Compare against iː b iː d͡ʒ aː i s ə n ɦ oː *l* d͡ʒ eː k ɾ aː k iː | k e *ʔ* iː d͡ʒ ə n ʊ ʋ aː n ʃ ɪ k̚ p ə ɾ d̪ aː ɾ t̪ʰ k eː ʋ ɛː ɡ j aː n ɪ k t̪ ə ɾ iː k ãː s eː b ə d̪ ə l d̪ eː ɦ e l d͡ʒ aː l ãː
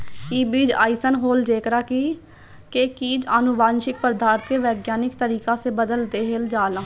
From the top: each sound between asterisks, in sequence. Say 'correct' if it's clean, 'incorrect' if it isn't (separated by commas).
correct, incorrect